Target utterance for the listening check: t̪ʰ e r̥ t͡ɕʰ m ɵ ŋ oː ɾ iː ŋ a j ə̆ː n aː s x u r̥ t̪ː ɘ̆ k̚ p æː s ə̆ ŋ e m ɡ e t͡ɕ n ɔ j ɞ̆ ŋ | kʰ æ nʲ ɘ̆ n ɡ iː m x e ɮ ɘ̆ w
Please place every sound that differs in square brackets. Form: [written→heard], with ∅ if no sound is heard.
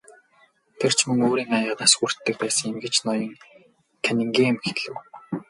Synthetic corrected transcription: t̪ʰ e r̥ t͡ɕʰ m ɵ ŋ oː ɾ iː ŋ a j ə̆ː n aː s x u r̥ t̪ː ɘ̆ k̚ p æː s ə̆ ŋ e m ɡ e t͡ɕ n ɔ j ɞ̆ ŋ | kʰ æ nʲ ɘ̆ [n→ŋ] ɡ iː m x e ɮ ɘ̆ w